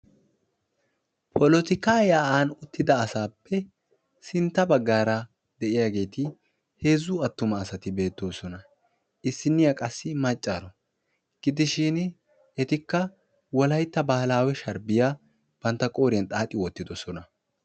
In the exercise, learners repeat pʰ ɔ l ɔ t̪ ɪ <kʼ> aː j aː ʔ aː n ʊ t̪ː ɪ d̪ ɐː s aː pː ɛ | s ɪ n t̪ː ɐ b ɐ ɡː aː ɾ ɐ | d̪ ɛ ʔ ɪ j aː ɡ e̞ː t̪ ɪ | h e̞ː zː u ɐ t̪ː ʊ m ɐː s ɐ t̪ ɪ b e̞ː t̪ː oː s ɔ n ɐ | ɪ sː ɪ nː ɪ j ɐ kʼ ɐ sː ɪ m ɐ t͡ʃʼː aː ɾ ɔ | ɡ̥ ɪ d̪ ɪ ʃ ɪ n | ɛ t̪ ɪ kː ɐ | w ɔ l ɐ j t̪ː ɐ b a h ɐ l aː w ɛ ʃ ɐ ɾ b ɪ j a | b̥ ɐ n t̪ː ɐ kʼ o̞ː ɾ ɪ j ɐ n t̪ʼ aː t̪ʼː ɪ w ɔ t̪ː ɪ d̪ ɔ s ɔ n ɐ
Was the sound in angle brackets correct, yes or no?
no